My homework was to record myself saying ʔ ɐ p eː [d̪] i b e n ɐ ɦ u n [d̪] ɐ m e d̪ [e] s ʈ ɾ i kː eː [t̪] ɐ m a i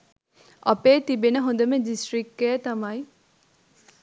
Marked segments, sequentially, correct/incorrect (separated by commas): incorrect, correct, incorrect, correct